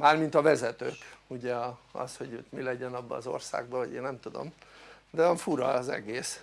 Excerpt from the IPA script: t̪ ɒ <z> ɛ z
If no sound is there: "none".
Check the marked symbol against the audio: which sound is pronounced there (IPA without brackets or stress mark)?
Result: v